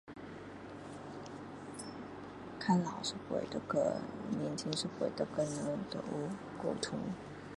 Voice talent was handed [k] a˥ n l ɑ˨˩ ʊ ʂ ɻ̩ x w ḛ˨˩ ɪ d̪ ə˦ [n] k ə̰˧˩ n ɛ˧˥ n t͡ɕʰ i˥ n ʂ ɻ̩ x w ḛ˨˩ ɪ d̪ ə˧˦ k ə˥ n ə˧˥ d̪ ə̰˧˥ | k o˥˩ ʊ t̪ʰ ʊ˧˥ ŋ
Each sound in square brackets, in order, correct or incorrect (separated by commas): incorrect, incorrect